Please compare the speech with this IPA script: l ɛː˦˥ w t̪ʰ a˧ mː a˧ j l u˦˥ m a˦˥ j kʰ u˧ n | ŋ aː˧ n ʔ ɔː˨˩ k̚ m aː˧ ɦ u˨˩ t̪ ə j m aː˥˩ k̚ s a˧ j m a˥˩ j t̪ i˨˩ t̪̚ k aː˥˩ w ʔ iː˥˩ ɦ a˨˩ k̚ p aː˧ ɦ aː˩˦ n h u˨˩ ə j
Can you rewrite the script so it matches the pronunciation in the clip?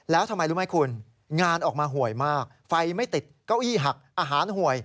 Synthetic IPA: l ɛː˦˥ w t̪ʰ a˧ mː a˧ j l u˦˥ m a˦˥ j kʰ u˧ n | ŋ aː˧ n ʔ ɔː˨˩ k̚ m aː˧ ɦ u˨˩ ə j m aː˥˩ k̚ f a˧ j m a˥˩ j t̪ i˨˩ t̪̚ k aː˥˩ w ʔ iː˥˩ ɦ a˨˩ k̚ ʔ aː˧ ɦ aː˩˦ n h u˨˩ ə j